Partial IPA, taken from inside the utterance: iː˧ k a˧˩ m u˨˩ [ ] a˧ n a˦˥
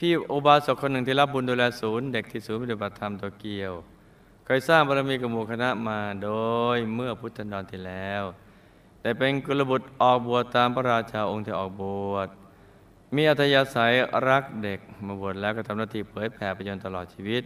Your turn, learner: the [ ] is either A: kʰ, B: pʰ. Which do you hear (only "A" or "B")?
A